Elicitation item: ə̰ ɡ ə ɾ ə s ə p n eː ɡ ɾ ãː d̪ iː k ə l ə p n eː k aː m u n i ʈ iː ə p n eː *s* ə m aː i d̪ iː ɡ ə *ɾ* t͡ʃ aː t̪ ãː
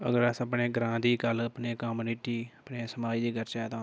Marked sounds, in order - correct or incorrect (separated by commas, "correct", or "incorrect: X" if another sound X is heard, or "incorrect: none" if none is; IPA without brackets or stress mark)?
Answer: correct, correct